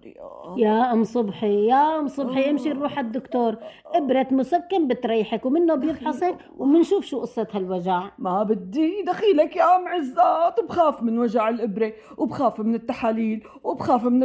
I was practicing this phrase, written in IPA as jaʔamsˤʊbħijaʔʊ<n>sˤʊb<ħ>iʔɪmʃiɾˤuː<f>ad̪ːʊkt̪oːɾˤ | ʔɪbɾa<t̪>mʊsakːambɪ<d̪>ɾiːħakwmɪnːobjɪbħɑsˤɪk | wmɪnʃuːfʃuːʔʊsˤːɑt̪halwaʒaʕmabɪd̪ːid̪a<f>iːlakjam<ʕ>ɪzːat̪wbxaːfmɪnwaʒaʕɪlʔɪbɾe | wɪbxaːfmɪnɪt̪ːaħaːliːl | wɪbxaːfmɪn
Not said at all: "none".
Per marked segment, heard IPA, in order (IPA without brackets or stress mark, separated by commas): m, ħ, ħ, t̪, t̪, x, ʕ